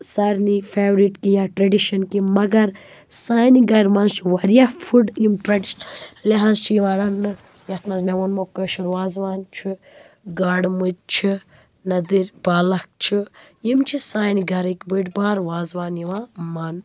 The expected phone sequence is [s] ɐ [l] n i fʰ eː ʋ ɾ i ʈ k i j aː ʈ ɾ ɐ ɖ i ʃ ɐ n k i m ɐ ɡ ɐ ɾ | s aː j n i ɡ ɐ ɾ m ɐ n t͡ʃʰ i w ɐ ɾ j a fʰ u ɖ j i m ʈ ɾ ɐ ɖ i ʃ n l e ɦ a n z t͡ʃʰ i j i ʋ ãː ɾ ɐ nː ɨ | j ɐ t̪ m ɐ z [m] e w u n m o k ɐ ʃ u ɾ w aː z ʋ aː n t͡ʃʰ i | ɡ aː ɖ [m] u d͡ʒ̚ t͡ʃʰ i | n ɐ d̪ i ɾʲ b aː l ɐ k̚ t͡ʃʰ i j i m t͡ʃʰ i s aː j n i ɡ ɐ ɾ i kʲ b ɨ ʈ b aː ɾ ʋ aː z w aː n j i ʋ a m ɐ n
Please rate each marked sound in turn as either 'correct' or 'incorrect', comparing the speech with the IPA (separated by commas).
correct, incorrect, correct, correct